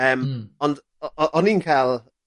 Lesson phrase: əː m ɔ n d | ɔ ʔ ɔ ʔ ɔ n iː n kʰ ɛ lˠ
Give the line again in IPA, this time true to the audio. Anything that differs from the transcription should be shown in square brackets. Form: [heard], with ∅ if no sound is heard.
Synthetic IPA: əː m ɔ n d | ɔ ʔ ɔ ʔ ɔ n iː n kʰ [a] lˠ